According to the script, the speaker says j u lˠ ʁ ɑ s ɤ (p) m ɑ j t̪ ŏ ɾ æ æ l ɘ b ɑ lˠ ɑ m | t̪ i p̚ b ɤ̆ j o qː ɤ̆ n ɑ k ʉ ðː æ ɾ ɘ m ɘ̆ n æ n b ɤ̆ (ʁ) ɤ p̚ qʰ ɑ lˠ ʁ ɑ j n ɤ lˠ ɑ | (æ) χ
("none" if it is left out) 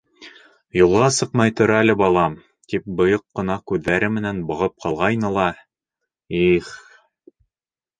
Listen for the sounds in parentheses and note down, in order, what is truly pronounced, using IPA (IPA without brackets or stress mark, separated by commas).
q, ʁ, i